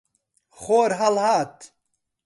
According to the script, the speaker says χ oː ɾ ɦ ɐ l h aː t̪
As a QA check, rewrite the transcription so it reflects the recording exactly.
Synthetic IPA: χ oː ɾ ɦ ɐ l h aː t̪